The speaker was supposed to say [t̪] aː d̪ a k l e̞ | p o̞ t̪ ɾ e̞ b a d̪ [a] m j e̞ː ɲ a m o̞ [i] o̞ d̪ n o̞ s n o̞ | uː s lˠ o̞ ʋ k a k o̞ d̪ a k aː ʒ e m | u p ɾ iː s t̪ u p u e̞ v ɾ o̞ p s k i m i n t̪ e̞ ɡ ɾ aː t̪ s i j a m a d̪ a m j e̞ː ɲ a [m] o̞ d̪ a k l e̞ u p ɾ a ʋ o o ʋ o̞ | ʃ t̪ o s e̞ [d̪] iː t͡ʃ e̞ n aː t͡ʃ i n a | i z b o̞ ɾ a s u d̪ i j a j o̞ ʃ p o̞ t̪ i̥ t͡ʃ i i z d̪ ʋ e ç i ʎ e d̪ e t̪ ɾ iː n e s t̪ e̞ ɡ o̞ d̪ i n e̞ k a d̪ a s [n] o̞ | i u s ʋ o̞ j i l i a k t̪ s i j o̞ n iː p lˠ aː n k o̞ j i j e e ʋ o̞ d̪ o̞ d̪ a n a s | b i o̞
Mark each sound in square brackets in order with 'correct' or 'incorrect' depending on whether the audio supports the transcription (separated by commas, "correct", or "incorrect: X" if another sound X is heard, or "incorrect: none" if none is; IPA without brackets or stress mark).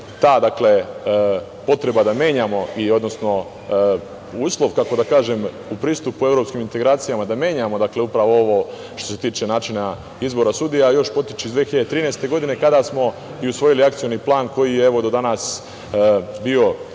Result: correct, correct, correct, correct, incorrect: t̪, incorrect: m